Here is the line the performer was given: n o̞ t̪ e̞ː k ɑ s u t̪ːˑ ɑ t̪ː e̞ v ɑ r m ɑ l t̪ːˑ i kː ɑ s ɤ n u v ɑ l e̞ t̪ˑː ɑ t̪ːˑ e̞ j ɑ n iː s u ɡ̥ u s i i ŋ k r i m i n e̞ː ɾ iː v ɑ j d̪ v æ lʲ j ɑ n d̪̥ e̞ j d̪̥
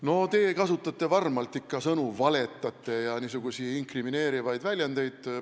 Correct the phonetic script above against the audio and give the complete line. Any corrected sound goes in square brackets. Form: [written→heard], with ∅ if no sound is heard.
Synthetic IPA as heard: n o̞ t̪ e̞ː k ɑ s u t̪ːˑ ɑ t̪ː e̞ v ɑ r m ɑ l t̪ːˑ i kː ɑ s ɤ n u v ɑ l e̞ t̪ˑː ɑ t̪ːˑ e̞ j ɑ n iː s u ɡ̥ u s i i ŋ k r i m i n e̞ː ɾ [iː→i] v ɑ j d̪ v æ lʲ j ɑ n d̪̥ e̞ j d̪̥